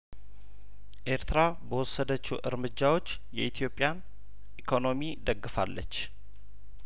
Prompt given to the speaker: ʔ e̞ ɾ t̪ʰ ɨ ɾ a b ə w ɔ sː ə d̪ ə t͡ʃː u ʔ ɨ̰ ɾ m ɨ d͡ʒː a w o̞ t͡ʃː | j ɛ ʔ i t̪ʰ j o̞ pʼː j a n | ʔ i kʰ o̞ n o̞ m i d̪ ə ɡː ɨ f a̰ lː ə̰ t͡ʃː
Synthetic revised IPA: ʔ e̞ ɾ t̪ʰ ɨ ɾ a b ə w ɔ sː ə d̪ ə t͡ʃː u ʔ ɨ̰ ɾ m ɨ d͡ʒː a w o̞ t͡ʃː | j ɛ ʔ i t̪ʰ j o̞ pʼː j a n | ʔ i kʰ o̞ n o̞ m i d̪ ə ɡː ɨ f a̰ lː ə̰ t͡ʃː